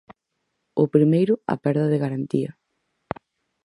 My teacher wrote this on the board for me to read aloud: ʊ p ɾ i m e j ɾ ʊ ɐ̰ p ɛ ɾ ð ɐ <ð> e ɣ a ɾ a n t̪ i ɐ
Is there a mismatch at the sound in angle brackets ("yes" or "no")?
no